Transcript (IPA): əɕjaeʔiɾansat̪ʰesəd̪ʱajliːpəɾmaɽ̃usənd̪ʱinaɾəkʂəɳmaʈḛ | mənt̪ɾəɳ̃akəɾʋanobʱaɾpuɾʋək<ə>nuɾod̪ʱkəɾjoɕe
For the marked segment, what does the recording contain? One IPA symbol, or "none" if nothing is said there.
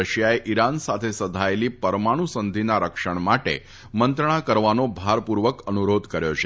ə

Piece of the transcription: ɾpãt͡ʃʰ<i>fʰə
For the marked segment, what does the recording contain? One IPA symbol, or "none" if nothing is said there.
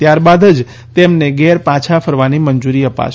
a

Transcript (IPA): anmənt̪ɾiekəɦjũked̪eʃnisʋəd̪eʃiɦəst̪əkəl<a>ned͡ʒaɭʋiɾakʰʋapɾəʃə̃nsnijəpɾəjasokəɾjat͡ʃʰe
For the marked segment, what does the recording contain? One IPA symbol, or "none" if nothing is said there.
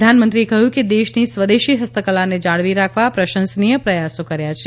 a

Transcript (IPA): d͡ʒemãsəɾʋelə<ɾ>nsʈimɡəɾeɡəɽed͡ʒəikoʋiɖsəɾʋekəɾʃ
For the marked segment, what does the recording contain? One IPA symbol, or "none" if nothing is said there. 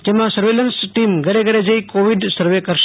none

